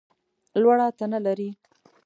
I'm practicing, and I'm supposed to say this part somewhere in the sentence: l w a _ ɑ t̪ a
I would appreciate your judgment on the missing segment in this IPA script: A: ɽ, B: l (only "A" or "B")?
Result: A